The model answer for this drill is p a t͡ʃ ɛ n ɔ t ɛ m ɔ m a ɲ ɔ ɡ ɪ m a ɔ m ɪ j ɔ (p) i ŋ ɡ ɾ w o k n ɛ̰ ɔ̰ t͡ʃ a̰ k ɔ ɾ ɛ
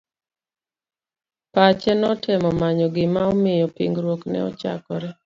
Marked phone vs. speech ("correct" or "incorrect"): correct